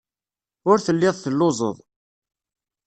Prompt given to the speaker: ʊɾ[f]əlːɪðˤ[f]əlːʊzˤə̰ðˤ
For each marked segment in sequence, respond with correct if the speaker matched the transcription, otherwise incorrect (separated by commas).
incorrect, incorrect